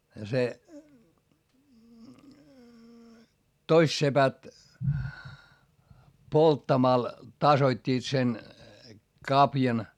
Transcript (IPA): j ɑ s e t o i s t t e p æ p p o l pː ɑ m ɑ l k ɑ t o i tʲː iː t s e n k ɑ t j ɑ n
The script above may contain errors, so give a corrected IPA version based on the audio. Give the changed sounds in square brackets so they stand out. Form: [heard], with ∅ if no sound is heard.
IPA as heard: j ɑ s e t o i s t [s] e p æ [t] p o l [tː] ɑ m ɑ l [t] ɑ [s] o i tʲː iː t s e n k ɑ [p] j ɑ n